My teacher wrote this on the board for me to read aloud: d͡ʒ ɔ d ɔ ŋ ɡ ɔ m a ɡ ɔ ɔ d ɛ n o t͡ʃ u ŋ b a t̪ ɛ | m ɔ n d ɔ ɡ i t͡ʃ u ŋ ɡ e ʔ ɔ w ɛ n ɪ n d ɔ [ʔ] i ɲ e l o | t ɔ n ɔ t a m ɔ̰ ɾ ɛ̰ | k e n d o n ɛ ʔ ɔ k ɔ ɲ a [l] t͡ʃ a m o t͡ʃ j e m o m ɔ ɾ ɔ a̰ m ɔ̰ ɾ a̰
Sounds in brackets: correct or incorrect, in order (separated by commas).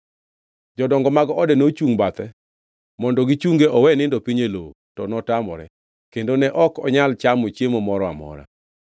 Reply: incorrect, correct